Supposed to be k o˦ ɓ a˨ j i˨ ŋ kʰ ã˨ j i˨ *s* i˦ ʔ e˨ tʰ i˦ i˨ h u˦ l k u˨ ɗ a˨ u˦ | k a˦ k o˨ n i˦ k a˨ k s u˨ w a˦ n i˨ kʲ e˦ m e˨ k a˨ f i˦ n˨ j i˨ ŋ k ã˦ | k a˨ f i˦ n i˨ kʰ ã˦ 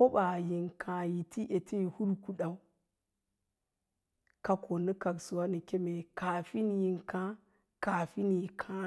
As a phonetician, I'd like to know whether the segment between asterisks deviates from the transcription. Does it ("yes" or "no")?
yes